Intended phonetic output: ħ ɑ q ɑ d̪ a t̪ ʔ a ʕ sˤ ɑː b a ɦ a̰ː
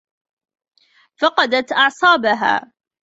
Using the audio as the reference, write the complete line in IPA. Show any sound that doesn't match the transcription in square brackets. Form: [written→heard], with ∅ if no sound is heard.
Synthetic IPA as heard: [ħ→f] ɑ q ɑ d̪ a t̪ ʔ [a→ɑ] ʕ sˤ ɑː b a ɦ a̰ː

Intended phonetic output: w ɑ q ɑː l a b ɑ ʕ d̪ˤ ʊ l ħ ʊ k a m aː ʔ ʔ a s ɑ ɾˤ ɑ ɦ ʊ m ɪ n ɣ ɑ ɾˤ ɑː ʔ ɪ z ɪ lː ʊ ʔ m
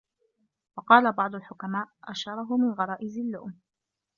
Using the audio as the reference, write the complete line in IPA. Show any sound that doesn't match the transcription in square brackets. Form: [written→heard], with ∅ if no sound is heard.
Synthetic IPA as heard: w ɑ q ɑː l a b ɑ ʕ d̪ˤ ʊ l ħ ʊ k a m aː ʔ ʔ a [s→ʃ] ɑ ɾˤ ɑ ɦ ʊ m ɪ n ɣ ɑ ɾˤ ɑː ʔ ɪ z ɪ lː ʊ ʔ m

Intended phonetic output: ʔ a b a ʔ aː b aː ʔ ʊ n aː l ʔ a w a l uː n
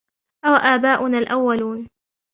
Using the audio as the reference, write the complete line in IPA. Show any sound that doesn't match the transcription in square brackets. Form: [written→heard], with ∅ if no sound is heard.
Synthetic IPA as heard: ʔ a [b→w] a ʔ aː b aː ʔ ʊ n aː l ʔ a [w→wː] a l uː n

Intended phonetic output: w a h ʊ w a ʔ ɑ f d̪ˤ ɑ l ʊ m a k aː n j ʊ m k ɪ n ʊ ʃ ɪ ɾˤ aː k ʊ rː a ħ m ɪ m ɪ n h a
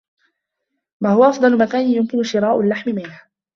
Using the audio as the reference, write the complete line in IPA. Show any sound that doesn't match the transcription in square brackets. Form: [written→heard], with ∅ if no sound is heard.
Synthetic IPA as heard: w a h ʊ w a ʔ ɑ f d̪ˤ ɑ l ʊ m a k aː n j ʊ m k ɪ n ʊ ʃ ɪ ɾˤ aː [k→ʔ] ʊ [rː→lː] a ħ m ɪ m ɪ n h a

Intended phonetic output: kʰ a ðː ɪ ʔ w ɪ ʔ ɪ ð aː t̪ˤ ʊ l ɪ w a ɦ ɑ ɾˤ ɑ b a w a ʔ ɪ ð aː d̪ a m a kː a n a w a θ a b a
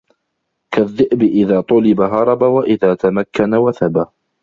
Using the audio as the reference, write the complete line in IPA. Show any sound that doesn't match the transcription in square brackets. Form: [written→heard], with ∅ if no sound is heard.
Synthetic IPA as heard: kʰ a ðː ɪ ʔ [w→b] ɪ ʔ ɪ ð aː t̪ˤ ʊ l ɪ [w→b] a ɦ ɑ ɾˤ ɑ b a w a ʔ ɪ ð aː [d̪→t̪] a m a kː a n a w a θ a b a

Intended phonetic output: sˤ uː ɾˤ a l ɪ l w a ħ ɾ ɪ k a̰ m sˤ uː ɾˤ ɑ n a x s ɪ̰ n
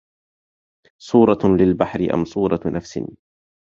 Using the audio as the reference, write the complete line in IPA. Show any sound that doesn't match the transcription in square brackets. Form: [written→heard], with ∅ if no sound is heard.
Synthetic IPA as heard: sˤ uː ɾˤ [a→ɑ] l ɪ l [w→b] a ħ ɾ ɪ [k→ʔ] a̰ m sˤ uː ɾˤ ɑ n a [x→f] s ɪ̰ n

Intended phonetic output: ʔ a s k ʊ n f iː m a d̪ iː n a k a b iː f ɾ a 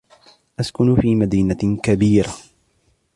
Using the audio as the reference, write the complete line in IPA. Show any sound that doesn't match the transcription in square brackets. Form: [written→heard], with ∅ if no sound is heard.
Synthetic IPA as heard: ʔ a s k ʊ n f iː m a d̪ iː n a k a b iː [f→∅] ɾ a

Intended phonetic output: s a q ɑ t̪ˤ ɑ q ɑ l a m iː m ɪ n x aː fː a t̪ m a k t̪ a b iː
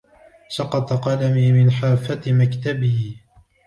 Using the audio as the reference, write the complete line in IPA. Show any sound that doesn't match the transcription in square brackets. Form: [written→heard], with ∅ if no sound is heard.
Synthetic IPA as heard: s [a→ɑ] q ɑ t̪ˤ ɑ q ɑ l a m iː m ɪ n [x→ħ] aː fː a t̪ m a k t̪ a b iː

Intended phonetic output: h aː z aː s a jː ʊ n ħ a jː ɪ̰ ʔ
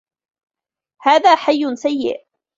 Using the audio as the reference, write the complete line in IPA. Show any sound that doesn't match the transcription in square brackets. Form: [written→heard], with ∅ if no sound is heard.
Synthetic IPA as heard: h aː [z→ð] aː [s→ħ] a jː ʊ n [ħ→s] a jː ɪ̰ ʔ

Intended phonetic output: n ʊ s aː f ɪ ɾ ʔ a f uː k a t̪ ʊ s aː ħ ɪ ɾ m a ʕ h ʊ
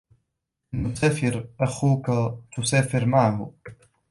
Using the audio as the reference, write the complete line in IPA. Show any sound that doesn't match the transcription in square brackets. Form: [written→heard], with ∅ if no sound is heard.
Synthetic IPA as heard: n ʊ s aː f ɪ ɾ ʔ a [f→x] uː k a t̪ ʊ s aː [ħ→f] ɪ ɾ m a ʕ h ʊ

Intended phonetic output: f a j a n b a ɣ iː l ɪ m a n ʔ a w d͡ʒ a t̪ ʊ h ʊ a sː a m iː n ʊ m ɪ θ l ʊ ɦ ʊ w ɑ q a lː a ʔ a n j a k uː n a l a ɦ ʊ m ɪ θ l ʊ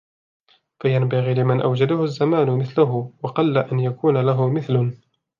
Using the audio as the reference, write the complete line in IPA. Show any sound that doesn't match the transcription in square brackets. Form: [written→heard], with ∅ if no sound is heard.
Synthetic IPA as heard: f a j a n b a ɣ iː l ɪ m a n ʔ a w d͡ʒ a [t̪→d̪] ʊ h ʊ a [sː→zː] a m [iː→aː] n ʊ m ɪ θ l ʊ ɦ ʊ w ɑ q [a→ɑ] lː a ʔ a n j a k uː n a l a ɦ ʊ m ɪ θ l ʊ

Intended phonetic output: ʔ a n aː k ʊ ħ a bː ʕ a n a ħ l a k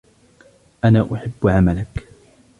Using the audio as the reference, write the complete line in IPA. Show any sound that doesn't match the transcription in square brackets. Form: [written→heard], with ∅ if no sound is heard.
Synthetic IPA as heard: ʔ a n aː [k→ʔ] ʊ ħ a bː ʕ a [n→m] a [ħ→∅] l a k

